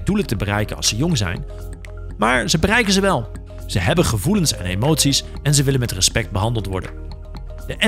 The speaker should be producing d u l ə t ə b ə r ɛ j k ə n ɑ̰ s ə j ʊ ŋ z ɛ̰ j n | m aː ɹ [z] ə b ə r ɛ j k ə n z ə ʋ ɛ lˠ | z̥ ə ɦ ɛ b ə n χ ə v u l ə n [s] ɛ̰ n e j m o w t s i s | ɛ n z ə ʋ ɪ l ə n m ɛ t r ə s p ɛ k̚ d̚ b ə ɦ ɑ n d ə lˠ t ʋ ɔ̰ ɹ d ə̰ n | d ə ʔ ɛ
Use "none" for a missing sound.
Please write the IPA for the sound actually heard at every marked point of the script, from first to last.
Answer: z, s

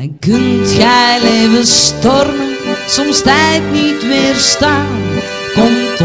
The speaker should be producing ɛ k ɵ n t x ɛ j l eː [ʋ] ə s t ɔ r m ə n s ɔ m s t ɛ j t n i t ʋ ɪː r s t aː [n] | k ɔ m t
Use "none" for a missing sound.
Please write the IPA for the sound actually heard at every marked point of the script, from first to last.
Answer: v, n

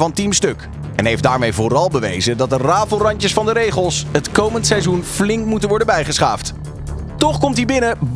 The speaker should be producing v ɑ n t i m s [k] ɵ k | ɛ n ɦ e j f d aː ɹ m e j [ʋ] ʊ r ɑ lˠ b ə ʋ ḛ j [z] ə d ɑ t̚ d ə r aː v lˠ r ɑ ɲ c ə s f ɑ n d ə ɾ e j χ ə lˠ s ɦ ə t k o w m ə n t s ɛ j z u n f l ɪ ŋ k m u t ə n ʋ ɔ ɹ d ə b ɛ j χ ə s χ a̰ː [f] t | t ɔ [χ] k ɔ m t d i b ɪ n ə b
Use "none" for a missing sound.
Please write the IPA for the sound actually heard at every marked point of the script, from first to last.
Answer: t, v, z, f, χ

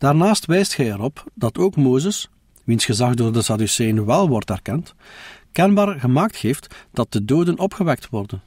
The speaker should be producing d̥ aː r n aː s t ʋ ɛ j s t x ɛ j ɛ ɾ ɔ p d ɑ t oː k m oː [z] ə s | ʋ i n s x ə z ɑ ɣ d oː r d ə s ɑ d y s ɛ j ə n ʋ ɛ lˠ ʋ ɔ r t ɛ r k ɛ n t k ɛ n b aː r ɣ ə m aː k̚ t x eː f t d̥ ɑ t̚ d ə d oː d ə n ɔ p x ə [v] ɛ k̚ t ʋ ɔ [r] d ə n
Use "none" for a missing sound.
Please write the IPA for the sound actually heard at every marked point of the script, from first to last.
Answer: z, ʋ, r

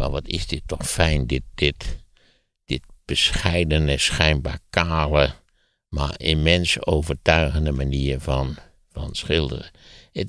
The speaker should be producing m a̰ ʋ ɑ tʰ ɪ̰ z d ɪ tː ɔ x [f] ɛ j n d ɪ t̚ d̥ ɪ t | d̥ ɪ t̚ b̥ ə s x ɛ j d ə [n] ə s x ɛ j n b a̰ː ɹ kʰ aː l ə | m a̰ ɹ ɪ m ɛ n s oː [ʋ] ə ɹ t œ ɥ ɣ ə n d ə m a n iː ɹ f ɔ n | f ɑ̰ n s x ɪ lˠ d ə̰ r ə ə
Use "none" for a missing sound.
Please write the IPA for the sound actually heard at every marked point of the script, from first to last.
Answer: f, n, v

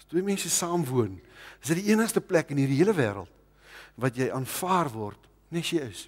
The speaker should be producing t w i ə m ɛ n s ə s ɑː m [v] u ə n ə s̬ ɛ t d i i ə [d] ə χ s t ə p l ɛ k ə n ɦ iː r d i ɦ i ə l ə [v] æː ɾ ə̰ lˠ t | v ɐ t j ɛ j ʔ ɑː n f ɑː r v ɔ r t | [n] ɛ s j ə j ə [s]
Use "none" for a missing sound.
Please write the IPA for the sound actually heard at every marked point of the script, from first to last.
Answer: v, n, v, n, s

